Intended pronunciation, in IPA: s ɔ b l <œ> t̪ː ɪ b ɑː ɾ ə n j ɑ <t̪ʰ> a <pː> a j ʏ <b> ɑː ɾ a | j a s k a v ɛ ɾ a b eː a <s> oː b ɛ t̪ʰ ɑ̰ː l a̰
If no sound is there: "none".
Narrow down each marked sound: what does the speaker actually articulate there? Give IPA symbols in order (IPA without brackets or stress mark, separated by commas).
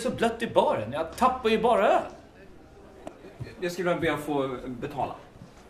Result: œ, t̪ʰ, pː, b, f